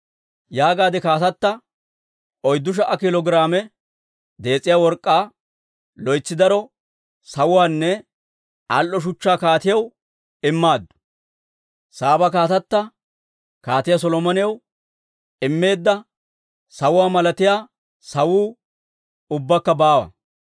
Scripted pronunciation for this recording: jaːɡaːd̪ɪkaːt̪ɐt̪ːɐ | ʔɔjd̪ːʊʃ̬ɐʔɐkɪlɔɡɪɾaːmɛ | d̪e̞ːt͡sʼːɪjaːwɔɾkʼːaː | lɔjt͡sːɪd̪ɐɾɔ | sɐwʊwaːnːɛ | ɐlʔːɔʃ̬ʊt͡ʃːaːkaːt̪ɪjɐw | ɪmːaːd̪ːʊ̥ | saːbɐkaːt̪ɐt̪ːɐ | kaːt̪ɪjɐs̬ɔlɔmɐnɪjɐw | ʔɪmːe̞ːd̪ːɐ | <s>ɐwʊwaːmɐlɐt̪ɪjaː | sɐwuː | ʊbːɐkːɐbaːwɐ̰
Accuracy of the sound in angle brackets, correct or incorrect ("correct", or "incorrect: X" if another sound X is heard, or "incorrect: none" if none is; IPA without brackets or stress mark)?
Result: correct